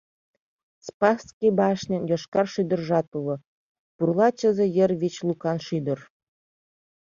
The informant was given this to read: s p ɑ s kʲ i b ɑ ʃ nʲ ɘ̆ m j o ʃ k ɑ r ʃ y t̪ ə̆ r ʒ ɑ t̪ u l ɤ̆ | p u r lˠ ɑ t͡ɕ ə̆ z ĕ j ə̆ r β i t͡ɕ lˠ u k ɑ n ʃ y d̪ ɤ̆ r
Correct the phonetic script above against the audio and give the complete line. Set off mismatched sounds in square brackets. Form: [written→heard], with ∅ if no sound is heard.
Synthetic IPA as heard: s p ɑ s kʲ i b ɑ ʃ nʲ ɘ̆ [m→n] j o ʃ k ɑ r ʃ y [t̪→d̪] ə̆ r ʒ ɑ t̪ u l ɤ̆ | p u r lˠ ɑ t͡ɕ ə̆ z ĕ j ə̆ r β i t͡ɕ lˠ u k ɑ n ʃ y d̪ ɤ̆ r

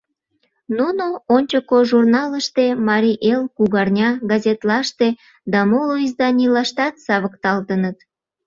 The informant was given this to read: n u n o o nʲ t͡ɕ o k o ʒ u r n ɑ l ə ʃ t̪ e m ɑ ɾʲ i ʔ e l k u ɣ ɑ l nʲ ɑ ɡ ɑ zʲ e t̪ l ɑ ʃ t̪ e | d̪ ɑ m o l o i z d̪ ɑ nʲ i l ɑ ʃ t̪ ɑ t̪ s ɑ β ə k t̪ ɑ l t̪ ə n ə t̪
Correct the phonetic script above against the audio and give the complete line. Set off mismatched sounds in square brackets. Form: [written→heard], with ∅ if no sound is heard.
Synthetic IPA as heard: n u n o o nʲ t͡ɕ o k o ʒ u r n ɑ l ə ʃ t̪ e m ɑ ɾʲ i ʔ e l k u ɣ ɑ [l→r] nʲ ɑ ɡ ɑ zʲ e t̪ l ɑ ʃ t̪ e | d̪ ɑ m o l o i z d̪ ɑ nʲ i l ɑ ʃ t̪ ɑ t̪ s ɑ β ə k t̪ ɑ l t̪ ə n ə t̪

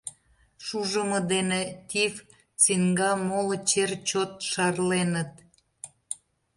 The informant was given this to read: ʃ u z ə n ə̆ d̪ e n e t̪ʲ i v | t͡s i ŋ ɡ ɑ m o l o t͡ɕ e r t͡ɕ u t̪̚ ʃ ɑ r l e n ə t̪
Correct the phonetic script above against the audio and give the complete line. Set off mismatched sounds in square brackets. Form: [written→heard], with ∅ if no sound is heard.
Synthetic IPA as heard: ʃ u [z→ʒ] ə [n→m] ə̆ d̪ e n e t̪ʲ i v | t͡s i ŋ ɡ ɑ m o l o t͡ɕ e r t͡ɕ [u→o] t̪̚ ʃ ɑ r l e n ə t̪

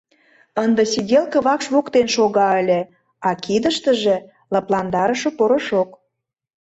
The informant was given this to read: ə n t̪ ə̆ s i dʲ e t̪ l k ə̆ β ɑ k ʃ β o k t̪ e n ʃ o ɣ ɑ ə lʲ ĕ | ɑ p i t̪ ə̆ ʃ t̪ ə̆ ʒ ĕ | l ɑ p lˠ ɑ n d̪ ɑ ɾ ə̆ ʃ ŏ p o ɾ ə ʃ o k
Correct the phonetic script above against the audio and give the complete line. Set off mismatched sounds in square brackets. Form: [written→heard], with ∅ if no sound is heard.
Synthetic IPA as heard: ə n [t̪→d̪] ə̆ s i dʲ e [t̪→∅] l k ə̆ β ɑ k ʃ β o k t̪ e n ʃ o ɣ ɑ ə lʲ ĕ | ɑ [p→k] i [t̪→d̪] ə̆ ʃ t̪ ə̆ ʒ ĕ | l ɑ p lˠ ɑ n d̪ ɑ ɾ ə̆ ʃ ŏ p o ɾ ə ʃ o k

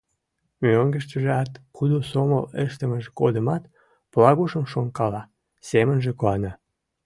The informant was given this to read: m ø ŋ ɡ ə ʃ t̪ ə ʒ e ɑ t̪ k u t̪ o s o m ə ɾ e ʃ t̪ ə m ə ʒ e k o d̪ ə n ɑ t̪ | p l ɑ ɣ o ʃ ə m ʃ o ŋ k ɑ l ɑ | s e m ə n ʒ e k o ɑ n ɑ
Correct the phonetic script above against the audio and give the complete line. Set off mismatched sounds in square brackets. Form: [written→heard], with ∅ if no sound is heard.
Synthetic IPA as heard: m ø ŋ ɡ ə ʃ t̪ ə ʒ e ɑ t̪ k u [t̪→d̪] o s o m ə [ɾ→l] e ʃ t̪ ə m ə ʒ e k o d̪ ə [n→m] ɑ t̪ | p l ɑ ɣ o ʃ ə m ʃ o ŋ k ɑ l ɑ | s e m ə n ʒ e k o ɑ n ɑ

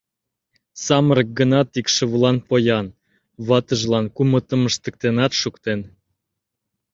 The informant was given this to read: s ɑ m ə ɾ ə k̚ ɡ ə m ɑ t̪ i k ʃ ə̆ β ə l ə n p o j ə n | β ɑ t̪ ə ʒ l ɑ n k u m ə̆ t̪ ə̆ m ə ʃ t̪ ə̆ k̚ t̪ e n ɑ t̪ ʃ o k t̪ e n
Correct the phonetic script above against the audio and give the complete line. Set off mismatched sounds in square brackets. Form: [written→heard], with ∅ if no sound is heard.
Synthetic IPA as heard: s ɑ m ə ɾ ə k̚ ɡ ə [m→n] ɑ t̪ i k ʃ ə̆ β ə l [ə→ɑ] n p o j [ə→ɑ] n | β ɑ t̪ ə ʒ l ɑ n k u m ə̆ t̪ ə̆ m ə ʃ t̪ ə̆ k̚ t̪ e n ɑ t̪ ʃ [o→u] k t̪ e n

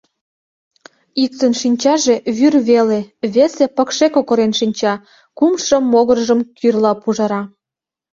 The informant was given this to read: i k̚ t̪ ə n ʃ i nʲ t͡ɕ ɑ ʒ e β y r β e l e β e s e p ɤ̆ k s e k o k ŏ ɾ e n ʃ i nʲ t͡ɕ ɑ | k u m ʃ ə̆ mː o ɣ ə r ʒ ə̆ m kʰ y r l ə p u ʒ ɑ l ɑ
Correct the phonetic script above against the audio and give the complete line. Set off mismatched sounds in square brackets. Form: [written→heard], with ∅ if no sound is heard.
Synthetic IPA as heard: i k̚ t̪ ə n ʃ i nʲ t͡ɕ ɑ ʒ e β y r β e l e β e s e p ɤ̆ k [s→ʃ] e k o k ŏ ɾ e n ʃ i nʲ t͡ɕ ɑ | k u m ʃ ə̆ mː o ɣ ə r ʒ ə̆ m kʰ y r l [ə→ɑ] p u ʒ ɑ [l→ɾ] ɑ

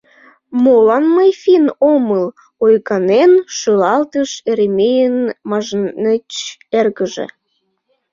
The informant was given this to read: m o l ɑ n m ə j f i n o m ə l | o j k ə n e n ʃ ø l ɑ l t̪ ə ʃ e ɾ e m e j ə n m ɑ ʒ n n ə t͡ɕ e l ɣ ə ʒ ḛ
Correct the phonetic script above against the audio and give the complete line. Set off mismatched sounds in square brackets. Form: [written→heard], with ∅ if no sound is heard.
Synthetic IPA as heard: m o l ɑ n m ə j f i n o m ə l | o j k [ə→ɑ] n e n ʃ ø l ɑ l t̪ ə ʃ e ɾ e m e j ə n m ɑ ʒ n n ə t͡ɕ e [l→r] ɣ ə ʒ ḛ

